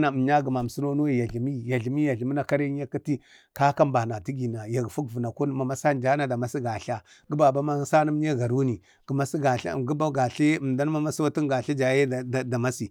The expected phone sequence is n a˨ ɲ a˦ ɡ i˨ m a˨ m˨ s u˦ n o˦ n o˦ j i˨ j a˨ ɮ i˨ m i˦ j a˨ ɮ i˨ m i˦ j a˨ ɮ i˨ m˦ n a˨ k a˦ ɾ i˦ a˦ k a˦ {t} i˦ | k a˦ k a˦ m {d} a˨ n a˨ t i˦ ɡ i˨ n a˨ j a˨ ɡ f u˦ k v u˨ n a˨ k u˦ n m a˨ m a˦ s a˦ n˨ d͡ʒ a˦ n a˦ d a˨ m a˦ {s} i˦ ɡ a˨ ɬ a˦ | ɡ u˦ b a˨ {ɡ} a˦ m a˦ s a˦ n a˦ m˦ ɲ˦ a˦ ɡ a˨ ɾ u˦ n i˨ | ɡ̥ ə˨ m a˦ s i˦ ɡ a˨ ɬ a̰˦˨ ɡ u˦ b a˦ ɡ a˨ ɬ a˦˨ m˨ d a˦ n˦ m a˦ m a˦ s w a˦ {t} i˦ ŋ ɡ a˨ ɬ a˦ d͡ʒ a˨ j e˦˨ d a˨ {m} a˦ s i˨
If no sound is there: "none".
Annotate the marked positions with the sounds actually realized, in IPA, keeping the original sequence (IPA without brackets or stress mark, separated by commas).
t, b, s, b, t, m